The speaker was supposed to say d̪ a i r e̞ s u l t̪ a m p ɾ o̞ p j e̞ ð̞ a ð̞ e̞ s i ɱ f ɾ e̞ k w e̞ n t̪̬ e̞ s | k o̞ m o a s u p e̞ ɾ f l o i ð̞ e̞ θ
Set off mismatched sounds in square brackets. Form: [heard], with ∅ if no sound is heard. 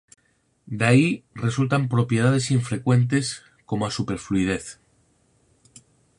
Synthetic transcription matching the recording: d̪ a i r e̞ s u l t̪ a m p ɾ o̞ p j e̞ ð̞ a ð̞ e̞ s i ɱ f ɾ e̞ k w e̞ n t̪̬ e̞ s | k o̞ m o a s u p e̞ ɾ f l [u] i ð̞ e̞ θ

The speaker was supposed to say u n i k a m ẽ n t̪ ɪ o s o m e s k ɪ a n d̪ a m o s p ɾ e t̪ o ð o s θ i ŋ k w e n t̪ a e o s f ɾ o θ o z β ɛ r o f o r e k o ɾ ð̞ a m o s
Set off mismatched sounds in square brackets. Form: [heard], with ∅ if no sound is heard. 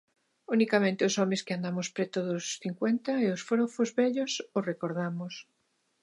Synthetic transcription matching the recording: u n i k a m ẽ n t̪ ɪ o s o m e s k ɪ a n d̪ a m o s p ɾ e t̪ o ð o s θ i ŋ k w e n t̪ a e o s f ɾ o [f] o z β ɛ [ʎ] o [s] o r e k o ɾ ð̞ a m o s

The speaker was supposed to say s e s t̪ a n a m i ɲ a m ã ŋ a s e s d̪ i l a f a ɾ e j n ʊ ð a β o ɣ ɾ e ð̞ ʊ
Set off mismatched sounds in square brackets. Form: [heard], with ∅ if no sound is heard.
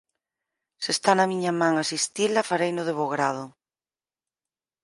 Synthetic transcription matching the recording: s e s t̪ a n a m i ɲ a m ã ŋ a s [i] s [t̪] i l a f a ɾ e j n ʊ ð [e] β o ɣ ɾ [a] ð̞ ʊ

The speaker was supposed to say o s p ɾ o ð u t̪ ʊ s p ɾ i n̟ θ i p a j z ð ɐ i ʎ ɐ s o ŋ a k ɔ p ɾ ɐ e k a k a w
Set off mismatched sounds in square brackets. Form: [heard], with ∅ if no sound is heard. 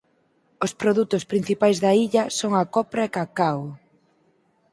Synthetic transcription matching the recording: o s p ɾ o ð u t̪ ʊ s p ɾ i n̟ θ i p a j z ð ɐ i ʎ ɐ s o ŋ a k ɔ p ɾ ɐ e k a k a w

